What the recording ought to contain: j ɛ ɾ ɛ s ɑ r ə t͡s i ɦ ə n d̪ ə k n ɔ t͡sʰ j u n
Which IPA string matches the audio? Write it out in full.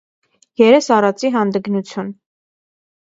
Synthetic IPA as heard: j ɛ ɾ ɛ s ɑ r ɑ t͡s i ɦ ɑ n d̪ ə ɡ n u t͡sʰ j u n